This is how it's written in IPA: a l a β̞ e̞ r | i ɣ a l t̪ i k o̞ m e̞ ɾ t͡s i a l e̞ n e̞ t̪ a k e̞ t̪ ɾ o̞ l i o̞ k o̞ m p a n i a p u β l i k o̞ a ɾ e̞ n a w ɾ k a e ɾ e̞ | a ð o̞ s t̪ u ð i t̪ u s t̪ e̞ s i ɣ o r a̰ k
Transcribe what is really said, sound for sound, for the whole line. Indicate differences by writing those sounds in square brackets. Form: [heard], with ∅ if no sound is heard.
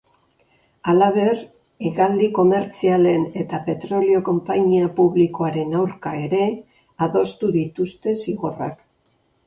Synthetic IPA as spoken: a l a β̞ e̞ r | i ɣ a l [d̪] i k o̞ m e̞ ɾ t͡s i a l e̞ n e̞ t̪ a [p] e̞ t̪ ɾ o̞ l i o̞ k o̞ m p a [ɲ] i a p u β l i k o̞ a ɾ e̞ n a w ɾ k a e ɾ e̞ | a ð o̞ s t̪ u ð i t̪ u s t̪ e̞ s i ɣ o r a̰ k